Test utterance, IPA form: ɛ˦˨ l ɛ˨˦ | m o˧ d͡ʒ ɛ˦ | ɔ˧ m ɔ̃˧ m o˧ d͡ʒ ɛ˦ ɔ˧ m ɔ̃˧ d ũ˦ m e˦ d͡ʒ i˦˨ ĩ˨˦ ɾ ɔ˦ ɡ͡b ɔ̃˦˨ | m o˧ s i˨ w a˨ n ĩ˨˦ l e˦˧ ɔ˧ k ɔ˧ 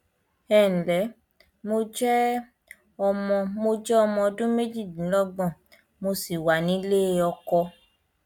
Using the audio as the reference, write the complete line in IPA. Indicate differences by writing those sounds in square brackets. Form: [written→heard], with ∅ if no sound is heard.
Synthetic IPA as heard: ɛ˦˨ l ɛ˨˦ | m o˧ d͡ʒ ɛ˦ | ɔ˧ m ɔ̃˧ m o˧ d͡ʒ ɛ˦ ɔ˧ m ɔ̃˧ d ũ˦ m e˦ d͡ʒ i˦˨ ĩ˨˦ [ɾ→l] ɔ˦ ɡ͡b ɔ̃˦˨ | m o˧ s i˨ w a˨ n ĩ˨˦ l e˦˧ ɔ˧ k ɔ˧